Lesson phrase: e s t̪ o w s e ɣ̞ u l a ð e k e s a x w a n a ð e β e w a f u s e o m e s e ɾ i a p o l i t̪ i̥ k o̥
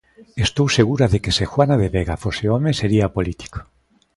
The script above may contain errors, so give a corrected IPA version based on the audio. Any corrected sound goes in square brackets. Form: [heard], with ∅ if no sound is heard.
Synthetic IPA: e s t̪ o w s e ɣ̞ u [ɾ] a ð e k e s [e] x w a n a ð e β e [ɣ] a f [o] s e o m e s e ɾ i a p o l i t̪ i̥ k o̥